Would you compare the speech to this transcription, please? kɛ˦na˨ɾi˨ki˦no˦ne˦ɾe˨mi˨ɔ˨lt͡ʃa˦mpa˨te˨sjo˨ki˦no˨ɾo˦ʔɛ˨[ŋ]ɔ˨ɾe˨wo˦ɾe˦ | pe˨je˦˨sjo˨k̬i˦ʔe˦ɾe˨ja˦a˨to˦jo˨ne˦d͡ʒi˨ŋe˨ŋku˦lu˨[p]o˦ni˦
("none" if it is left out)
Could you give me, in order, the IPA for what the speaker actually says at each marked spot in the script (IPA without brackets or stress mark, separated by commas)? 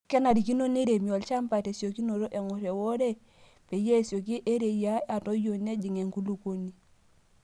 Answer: ŋ, k